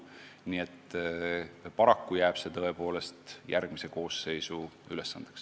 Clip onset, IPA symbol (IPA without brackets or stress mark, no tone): n